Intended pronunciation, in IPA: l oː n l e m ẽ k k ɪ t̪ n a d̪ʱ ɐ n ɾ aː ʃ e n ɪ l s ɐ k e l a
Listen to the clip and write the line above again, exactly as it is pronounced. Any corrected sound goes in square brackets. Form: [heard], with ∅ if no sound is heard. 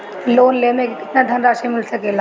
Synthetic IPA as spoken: l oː n l e m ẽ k k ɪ t̪ n a d̪ʱ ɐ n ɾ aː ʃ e [m] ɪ l s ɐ k e l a